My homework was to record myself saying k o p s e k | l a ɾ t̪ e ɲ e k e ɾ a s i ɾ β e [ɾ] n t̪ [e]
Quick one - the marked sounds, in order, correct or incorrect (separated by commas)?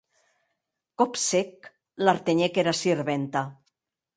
incorrect, incorrect